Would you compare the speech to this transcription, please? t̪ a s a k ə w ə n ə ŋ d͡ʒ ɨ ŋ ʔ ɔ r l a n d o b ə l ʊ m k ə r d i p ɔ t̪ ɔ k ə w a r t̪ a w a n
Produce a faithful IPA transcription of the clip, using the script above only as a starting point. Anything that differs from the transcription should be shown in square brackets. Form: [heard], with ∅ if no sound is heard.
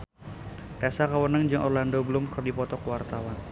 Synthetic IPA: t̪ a s a k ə w ə n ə ŋ d͡ʒ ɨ ŋ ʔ ɔ r l a n d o b ə l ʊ m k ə r d i p ɔ t̪ ɔ k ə w a r t̪ a w a n